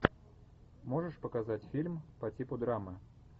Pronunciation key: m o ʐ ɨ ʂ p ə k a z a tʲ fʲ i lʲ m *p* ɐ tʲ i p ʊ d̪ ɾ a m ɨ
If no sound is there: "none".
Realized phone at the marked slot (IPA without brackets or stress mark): p